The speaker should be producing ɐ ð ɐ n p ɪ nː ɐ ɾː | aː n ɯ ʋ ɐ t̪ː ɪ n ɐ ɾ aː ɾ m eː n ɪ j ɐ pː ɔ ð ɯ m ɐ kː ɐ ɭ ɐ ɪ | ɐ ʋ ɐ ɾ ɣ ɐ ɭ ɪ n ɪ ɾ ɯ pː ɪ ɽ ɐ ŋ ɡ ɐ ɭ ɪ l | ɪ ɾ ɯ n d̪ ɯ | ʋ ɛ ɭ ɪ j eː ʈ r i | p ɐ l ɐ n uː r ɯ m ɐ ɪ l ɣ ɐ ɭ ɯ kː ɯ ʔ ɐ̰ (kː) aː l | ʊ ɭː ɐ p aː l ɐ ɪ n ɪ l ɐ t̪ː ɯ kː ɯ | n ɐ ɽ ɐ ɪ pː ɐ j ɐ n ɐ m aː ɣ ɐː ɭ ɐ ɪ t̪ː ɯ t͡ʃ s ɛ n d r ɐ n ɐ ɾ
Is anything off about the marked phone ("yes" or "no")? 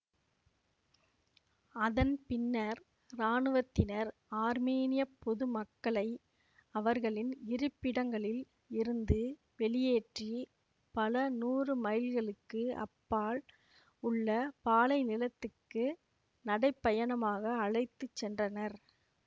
yes